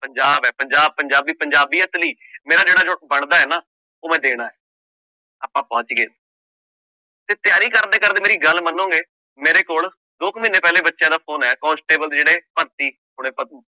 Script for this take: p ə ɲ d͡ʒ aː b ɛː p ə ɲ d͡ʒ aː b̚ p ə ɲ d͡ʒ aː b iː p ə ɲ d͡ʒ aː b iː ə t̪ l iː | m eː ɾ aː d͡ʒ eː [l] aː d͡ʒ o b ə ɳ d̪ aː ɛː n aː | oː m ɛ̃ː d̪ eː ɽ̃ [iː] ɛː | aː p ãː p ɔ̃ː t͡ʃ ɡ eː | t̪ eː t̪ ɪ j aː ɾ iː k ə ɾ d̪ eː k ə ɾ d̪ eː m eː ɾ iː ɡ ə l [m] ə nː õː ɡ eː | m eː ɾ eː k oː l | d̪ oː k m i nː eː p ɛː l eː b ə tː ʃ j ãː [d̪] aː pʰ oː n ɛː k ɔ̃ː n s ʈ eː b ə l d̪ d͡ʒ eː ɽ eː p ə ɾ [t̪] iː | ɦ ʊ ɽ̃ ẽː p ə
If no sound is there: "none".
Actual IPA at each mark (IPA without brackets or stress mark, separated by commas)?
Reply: ɽ, aː, m, d̪, t̪